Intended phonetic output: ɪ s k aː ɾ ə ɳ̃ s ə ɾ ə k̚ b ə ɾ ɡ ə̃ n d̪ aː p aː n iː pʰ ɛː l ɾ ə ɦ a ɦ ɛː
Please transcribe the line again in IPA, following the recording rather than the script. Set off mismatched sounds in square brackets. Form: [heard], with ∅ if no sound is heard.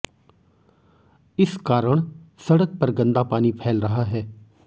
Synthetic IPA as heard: ɪ s k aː ɾ ə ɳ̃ s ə [ɽ] ə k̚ [p] ə ɾ ɡ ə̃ n d̪ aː p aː n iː pʰ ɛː l ɾ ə ɦ a ɦ ɛː

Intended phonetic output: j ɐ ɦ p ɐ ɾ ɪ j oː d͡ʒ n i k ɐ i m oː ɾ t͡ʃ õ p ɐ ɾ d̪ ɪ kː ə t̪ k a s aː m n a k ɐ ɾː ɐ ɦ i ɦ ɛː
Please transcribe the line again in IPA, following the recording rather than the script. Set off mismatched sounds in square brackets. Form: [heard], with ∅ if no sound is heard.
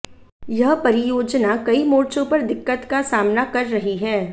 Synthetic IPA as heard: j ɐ ɦ p ɐ ɾ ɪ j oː d͡ʒ n [a] k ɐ i m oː ɾ t͡ʃ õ p ɐ ɾ d̪ ɪ kː ə t̪ k a s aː m n a k ɐ ɾː ɐ ɦ i ɦ ɛː

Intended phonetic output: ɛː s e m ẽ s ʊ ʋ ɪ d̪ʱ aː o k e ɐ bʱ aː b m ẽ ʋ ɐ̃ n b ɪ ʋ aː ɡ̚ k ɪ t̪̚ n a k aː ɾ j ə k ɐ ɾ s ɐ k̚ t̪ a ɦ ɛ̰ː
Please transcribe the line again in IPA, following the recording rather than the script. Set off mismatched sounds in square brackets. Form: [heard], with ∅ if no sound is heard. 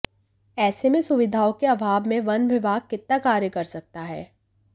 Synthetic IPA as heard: ɛː s e m ẽ s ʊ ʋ ɪ d̪ʱ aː o k e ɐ bʱ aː b m ẽ ʋ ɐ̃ n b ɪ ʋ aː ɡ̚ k ɪ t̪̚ n a k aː ɾ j ə k ɐ ɾ s ɐ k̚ t̪ a ɦ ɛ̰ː

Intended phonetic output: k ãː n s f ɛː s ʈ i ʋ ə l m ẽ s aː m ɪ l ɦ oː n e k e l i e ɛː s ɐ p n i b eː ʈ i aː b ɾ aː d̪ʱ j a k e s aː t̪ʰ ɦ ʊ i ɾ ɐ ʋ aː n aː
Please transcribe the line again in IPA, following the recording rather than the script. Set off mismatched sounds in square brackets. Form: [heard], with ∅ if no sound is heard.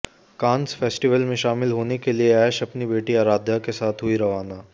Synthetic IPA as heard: k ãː n s f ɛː s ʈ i ʋ ə l m ẽ [ʃ] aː m ɪ l ɦ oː n e k e l i e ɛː [ʃ] ɐ p n i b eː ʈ i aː [∅] ɾ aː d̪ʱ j a k e s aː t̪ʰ ɦ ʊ i ɾ ɐ ʋ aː n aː

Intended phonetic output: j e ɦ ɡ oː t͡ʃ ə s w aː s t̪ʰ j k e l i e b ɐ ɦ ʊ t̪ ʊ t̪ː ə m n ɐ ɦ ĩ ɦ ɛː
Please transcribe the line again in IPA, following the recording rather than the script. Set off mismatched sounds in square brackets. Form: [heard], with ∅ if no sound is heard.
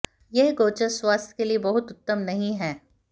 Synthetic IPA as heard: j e ɦ ɡ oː t͡ʃ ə s w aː s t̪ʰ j k e l i e b ɐ ɦ ʊ t̪ ʊ t̪ː ə m n ɐ ɦ ĩ ɦ ɛː

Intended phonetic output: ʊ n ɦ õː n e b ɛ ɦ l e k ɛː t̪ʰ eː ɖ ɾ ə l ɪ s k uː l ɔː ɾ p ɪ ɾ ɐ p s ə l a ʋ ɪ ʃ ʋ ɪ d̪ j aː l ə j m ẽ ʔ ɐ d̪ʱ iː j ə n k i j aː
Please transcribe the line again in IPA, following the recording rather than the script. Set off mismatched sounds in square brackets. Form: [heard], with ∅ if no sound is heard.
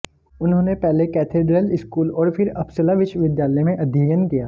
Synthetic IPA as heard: ʊ n ɦ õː n e [p] ɛ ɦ l e k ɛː t̪ʰ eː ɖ ɾ ə l ɪ s k uː l ɔː ɾ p ɪ ɾ ɐ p s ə l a ʋ ɪ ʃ ʋ ɪ d̪ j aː l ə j m ẽ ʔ ɐ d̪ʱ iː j ə n k i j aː

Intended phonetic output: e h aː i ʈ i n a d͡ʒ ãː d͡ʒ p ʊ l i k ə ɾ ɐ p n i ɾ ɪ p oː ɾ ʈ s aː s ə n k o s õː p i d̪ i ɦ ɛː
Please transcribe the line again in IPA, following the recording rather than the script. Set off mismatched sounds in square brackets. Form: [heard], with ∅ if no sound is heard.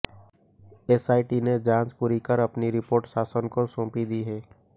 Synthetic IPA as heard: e [s] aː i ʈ i n [e] d͡ʒ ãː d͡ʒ p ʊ [ɾ] i k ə ɾ ɐ p n i ɾ ɪ p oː ɾ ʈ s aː s ə n k o s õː p i d̪ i ɦ ɛː

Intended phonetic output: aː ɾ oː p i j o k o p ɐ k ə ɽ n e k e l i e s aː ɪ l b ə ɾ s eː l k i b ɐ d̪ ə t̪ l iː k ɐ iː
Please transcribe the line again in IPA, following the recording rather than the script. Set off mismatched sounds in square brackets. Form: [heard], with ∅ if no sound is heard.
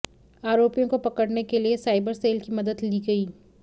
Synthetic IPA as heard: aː ɾ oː p i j [õ] k o p ɐ k ə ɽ n e k e l i e s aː ɪ [∅] b ə ɾ s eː l k i [m] ɐ d̪ ə [d̪] l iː [ɡ] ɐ iː

